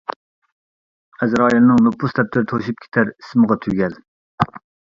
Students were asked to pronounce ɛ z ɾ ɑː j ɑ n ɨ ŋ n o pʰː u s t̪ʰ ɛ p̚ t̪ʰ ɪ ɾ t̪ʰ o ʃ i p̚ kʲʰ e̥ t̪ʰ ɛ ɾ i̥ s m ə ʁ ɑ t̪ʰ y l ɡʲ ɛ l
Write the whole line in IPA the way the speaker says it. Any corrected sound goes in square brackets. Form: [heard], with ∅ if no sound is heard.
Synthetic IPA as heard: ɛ z ɾ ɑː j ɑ n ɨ ŋ n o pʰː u s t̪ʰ ɛ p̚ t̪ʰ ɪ ɾ t̪ʰ o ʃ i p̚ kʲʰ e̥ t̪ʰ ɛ ɾ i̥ s m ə ʁ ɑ t̪ʰ y [∅] ɡʲ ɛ l